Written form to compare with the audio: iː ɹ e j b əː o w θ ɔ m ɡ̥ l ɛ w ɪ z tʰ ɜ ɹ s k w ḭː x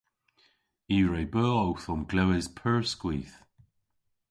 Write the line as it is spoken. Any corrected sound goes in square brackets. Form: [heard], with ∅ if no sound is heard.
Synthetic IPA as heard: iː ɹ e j b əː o w θ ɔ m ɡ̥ l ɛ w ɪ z [pʰ] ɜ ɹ s k w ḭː [θ]